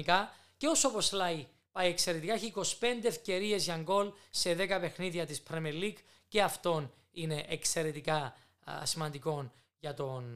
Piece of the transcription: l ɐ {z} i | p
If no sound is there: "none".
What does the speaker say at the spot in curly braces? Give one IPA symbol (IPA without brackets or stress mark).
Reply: none